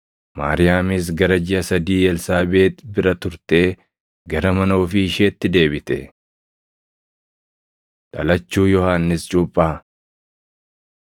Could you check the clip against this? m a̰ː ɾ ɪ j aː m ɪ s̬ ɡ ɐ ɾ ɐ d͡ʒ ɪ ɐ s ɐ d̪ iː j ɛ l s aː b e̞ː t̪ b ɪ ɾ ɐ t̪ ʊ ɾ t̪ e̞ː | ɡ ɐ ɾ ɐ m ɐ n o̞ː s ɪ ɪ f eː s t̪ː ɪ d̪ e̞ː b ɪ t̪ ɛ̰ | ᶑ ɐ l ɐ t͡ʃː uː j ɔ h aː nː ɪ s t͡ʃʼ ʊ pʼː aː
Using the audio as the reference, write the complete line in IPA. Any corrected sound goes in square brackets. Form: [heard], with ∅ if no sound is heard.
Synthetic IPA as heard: m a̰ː ɾ ɪ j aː m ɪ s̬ ɡ ɐ ɾ ɐ d͡ʒ ɪ ɐ s ɐ d̪ iː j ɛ l s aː b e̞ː t̪ b ɪ ɾ ɐ t̪ ʊ ɾ t̪ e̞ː | ɡ ɐ ɾ ɐ m ɐ n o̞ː [f] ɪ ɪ [ʃ] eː [∅] t̪ː ɪ d̪ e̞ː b ɪ t̪ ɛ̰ | ᶑ ɐ l ɐ t͡ʃː uː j ɔ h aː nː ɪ s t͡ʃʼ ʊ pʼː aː